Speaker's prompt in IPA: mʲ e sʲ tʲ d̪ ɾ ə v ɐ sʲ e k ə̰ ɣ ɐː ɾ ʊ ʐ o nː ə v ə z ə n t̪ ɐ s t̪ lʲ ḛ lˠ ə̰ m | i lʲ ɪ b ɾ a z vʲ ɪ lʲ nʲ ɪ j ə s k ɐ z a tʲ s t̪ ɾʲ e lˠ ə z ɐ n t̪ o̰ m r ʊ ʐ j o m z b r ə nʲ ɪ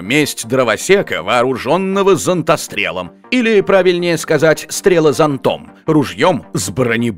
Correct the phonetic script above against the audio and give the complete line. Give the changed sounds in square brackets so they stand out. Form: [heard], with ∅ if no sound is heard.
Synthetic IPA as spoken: mʲ e sʲ tʲ d̪ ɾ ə v ɐ sʲ e k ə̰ [v] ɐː ɾ ʊ ʐ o nː ə v ə z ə n t̪ ɐ s t̪ [ɾʲ] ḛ lˠ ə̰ m | i lʲ ɪ [p] ɾ a [∅] vʲ ɪ lʲ nʲ ɪ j ə s k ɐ z a tʲ s t̪ ɾʲ e lˠ ə z ɐ n t̪ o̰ m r ʊ ʐ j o m z b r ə nʲ ɪ

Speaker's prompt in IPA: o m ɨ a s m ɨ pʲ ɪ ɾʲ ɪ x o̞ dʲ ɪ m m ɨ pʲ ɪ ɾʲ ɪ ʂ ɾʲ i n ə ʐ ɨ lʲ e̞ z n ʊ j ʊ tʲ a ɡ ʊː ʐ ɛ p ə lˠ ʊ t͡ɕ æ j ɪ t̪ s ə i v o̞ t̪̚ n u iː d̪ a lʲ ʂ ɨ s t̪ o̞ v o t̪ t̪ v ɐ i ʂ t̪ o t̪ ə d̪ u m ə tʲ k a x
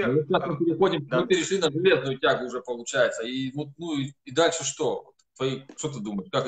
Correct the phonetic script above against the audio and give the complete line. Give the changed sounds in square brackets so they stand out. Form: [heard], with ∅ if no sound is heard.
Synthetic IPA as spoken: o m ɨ a s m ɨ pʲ ɪ ɾʲ ɪ x o̞ dʲ ɪ m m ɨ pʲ ɪ ɾʲ ɪ ʂ [lʲ] i n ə ʐ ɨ lʲ e̞ z n ʊ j ʊ tʲ a ɡ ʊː ʐ ɛ p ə lˠ ʊ t͡ɕ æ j ɪ t̪ s ə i v o̞ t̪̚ n u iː d̪ a lʲ ʂ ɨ [ʂ] t̪ o̞ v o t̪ t̪ v ɐ i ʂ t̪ o t̪ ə d̪ u m ə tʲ k a [k]

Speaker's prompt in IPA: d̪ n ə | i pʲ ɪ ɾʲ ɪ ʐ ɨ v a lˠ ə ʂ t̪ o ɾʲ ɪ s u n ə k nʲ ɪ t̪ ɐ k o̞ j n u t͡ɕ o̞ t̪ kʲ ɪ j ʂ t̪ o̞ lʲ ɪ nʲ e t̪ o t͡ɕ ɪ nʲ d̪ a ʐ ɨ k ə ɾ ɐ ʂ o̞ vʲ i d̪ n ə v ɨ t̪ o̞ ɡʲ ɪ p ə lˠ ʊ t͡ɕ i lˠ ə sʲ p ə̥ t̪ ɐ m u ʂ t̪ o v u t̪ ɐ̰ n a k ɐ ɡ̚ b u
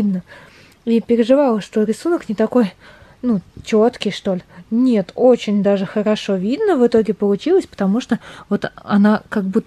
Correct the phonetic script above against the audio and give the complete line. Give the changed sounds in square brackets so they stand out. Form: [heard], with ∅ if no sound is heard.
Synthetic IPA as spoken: d̪ n ə | i pʲ ɪ ɾʲ ɪ ʐ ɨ v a lˠ ə ʂ t̪ o ɾʲ ɪ s u n ə k nʲ ɪ t̪ ɐ k o̞ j n u t͡ɕ o̞ t̪ kʲ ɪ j ʂ t̪ o̞ lʲ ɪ nʲ e t̪ o t͡ɕ ɪ nʲ d̪ a ʐ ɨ [x] ə ɾ ɐ ʂ o̞ vʲ i d̪ n ə v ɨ t̪ o̞ ɡʲ ɪ p ə lˠ ʊ t͡ɕ i lˠ ə sʲ p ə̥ t̪ ɐ m u ʂ t̪ o v [o] t̪ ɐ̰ n a k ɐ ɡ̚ b u

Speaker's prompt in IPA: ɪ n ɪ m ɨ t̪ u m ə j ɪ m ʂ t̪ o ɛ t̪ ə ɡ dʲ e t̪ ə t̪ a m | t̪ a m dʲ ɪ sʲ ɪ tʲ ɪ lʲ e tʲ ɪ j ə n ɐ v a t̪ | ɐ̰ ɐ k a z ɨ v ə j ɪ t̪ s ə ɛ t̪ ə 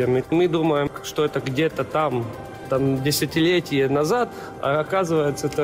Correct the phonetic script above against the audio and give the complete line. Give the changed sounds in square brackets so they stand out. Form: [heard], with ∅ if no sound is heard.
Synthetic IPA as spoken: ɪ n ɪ m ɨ [d̪] u m ə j ɪ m ʂ t̪ o ɛ t̪ ə ɡ dʲ e t̪ ə t̪ a m | t̪ a m dʲ ɪ sʲ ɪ tʲ ɪ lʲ e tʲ ɪ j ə n ɐ [z] a t̪ | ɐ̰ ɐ k a z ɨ v ə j ɪ t̪ s ə ɛ t̪ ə

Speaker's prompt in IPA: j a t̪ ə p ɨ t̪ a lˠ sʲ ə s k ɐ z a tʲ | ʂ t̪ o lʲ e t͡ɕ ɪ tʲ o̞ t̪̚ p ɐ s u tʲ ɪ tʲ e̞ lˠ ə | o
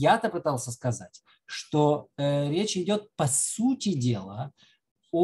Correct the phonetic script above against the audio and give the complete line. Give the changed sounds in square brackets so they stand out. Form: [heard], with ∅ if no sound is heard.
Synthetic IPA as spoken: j a t̪ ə p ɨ t̪ a lˠ sʲ ə s k ɐ z a tʲ | ʂ t̪ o [ɾʲ] e t͡ɕ ɪ [dʲ] o̞ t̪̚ p ɐ s u tʲ ɪ [dʲ] e̞ lˠ ə | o

